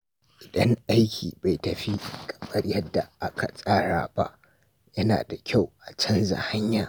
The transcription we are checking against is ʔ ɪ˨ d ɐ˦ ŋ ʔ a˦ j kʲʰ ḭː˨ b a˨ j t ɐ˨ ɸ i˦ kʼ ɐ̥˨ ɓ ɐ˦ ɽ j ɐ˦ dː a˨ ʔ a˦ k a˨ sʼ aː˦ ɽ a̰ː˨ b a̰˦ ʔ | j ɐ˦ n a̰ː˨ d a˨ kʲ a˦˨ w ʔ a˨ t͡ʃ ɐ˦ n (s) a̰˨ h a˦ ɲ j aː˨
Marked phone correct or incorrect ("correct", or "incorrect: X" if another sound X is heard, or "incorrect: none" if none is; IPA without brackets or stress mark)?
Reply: incorrect: z